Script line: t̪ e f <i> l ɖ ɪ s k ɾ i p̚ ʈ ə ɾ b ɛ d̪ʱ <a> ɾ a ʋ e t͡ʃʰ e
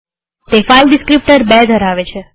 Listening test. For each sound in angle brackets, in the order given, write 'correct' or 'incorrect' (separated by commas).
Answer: incorrect, incorrect